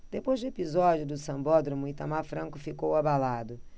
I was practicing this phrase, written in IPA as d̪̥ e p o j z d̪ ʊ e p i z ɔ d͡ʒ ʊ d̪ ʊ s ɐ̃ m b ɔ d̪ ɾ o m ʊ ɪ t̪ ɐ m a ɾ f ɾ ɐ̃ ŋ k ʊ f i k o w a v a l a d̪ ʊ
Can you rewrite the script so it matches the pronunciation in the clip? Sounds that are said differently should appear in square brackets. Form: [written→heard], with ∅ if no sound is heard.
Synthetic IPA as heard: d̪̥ e p o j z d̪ ʊ e p i z ɔ d͡ʒ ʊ d̪ ʊ s ɐ̃ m b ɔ d̪ ɾ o m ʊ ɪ t̪ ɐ m a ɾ f ɾ ɐ̃ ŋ k ʊ f i k o w a [v→b] a l a d̪ ʊ